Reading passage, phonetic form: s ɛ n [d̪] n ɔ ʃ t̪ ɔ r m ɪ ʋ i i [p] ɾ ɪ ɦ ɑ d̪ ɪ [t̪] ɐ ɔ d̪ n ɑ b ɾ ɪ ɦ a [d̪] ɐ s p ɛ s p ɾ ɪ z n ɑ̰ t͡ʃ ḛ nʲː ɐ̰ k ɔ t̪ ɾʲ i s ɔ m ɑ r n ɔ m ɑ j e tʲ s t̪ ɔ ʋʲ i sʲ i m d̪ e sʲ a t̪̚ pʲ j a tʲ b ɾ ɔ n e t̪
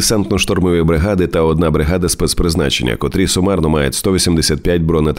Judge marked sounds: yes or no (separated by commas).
no, no, yes, yes